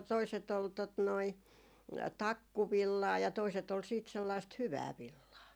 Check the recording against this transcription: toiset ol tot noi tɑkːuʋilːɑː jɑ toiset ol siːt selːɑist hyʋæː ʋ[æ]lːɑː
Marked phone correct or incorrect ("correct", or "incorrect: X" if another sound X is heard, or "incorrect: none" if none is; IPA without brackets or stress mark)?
incorrect: i